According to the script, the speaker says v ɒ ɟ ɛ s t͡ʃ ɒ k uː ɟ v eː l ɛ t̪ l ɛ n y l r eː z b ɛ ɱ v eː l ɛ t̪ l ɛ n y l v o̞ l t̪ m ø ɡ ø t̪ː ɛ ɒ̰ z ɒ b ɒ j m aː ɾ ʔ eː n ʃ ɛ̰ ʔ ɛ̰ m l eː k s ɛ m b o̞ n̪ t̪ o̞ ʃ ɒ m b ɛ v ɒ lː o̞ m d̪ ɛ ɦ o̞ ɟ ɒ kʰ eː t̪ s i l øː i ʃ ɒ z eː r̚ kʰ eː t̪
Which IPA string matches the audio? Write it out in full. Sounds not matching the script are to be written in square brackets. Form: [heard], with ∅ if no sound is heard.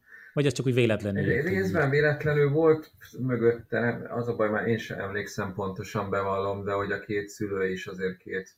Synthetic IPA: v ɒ ɟ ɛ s t͡ʃ ɒ k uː ɟ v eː l ɛ t̪ l ɛ n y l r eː z b ɛ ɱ v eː l ɛ t̪ l ɛ n y l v o̞ l t̪ m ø ɡ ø t̪ː ɛ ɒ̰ z ɒ b ɒ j m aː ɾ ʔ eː n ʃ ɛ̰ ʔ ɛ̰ m l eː k s ɛ m [p] o̞ n̪ t̪ o̞ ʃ ɒ m b ɛ v ɒ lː o̞ m d̪ ɛ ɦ o̞ ɟ ɒ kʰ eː t̪ s [y] l øː i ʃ ɒ z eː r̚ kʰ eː t̪